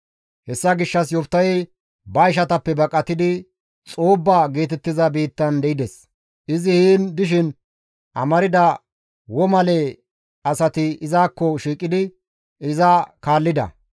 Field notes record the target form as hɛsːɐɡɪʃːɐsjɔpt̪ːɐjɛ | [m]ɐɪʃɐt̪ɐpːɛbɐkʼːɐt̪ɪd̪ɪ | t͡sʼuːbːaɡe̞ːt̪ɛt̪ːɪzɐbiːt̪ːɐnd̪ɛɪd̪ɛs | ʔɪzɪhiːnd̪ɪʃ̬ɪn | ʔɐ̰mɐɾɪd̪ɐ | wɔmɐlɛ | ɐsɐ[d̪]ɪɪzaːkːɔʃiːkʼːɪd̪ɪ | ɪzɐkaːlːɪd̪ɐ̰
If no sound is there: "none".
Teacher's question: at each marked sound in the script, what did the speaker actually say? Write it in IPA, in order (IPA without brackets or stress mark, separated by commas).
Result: b, t̪